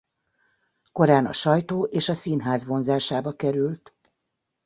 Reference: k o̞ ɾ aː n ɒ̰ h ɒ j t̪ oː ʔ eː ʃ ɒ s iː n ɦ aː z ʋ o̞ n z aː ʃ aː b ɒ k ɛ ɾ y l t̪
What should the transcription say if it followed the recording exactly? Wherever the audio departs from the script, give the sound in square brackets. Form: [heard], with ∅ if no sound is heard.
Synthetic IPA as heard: k o̞ ɾ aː n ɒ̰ [ʃ] ɒ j t̪ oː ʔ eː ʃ ɒ s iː n ɦ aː z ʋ o̞ n z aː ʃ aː b ɒ k ɛ ɾ y l t̪